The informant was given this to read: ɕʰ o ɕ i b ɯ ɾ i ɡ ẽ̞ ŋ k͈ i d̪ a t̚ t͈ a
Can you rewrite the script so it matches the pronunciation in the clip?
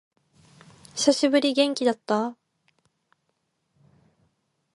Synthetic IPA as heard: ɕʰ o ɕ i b ɯ ɾ i ɡ e̞ ŋ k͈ i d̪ a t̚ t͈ a